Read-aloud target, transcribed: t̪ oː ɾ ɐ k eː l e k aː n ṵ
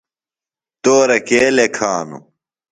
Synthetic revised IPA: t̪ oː ɾ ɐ k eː l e kʰ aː n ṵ